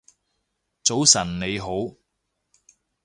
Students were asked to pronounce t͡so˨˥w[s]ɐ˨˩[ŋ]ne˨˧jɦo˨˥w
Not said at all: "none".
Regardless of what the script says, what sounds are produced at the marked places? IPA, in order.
s, n

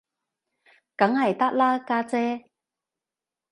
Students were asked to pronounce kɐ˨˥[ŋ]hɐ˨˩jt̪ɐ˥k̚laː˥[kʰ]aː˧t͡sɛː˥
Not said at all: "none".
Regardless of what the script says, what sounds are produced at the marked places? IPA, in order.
ŋ, k

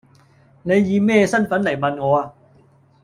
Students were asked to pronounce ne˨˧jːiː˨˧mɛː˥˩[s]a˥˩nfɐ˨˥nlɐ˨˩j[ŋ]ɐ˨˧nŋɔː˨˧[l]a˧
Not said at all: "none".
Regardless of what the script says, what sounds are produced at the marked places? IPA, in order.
s, m, none

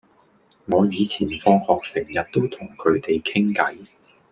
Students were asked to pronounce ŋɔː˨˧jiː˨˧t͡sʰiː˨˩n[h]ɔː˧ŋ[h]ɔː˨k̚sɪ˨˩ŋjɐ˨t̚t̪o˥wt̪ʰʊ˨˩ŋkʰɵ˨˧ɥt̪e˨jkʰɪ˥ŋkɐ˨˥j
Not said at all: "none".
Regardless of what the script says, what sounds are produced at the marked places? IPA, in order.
f, h

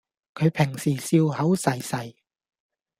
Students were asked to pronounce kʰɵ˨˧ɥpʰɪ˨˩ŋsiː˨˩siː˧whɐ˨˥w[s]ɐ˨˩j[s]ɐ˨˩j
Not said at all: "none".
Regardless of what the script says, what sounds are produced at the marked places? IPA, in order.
s, s

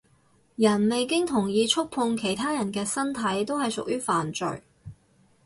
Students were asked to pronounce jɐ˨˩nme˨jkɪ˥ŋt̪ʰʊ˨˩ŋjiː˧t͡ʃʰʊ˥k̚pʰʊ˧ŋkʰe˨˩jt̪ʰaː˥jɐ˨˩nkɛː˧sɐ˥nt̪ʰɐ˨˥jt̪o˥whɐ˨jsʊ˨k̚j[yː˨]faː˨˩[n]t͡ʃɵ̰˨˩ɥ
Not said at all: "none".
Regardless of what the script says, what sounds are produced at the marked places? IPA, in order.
yː˥, n

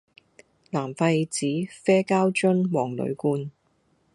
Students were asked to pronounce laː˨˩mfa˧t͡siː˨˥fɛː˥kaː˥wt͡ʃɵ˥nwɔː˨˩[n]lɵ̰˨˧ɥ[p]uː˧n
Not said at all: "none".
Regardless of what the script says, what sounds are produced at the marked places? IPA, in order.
ŋ, k

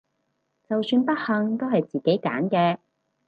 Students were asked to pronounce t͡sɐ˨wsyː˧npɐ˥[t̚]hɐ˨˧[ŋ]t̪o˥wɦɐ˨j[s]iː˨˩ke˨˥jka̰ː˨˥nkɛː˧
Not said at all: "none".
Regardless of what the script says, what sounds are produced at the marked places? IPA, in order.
t̚, ŋ, t͡s

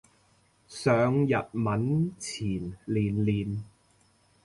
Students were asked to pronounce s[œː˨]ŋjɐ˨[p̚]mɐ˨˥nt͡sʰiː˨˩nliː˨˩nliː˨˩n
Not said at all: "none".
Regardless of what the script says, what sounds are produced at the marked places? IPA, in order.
œː˨, t̚

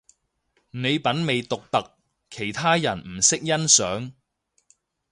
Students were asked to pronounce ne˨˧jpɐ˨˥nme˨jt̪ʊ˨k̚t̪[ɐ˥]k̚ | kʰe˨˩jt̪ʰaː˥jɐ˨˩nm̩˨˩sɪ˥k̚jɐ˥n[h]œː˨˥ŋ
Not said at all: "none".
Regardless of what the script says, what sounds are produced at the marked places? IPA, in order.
ɐ˨, s

